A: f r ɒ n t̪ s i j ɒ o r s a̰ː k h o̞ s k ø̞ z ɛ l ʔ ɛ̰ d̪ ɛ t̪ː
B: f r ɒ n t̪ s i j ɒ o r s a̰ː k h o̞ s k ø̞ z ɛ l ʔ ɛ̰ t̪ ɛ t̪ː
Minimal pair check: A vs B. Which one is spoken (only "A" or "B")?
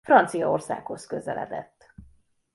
A